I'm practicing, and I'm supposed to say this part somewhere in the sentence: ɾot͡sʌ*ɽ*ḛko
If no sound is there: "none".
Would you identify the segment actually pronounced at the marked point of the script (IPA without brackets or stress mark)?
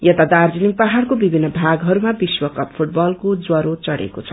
ɽ